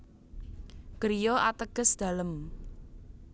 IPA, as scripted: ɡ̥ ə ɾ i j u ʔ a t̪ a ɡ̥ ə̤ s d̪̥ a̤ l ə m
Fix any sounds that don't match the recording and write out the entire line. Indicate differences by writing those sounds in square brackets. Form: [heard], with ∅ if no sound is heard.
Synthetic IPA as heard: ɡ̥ ə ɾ i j [ɔ] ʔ a t̪ [ə] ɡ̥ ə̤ s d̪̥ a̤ l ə m